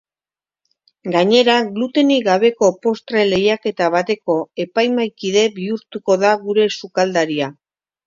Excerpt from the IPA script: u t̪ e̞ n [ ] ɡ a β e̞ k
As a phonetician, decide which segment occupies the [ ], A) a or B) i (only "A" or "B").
B